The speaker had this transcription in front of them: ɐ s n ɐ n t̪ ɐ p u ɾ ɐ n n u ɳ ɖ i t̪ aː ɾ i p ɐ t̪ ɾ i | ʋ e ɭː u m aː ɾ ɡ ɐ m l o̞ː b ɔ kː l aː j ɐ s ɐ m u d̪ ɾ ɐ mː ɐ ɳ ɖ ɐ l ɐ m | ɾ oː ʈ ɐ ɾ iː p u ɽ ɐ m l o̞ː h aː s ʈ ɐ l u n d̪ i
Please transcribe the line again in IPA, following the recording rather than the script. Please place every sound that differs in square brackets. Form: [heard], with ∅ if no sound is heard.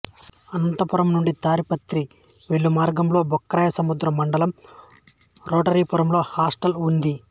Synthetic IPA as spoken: ɐ [∅] n ɐ n t̪ ɐ p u ɾ ɐ [m] n u ɳ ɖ i t̪ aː ɾ i p ɐ t̪ ɾ i | ʋ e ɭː u m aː ɾ ɡ ɐ m l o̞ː b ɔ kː [ɾ] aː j ɐ s ɐ m u d̪ ɾ ɐ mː ɐ ɳ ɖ ɐ l ɐ m | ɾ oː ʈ ɐ ɾ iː p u [ɾ] ɐ m l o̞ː h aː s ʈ ɐ l u n d̪ i